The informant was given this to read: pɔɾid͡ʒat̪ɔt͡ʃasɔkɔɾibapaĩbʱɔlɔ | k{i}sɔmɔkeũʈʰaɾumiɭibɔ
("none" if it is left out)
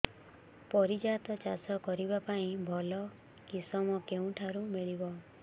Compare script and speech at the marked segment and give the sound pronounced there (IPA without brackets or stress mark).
i